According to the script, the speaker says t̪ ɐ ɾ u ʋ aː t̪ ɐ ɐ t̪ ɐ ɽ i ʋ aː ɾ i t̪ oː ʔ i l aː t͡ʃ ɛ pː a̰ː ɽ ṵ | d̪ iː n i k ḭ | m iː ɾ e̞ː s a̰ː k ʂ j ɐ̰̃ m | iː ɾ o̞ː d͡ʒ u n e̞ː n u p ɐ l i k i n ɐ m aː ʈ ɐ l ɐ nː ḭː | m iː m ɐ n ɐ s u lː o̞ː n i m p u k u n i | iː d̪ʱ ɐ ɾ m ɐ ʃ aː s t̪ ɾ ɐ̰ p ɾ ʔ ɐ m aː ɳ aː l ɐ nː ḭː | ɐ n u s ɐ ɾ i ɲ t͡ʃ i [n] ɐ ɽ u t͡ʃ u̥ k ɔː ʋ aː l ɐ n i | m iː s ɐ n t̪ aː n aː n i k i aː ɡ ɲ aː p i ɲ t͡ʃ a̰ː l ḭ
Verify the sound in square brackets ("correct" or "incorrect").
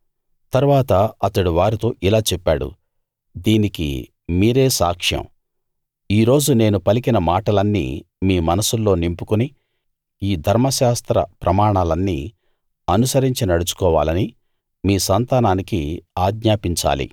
correct